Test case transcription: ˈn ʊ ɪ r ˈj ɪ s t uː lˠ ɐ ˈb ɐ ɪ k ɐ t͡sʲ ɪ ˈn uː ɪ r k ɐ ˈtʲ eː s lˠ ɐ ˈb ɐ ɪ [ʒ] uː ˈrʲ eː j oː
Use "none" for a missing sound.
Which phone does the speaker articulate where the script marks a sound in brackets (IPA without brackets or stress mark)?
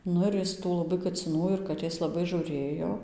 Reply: ʒ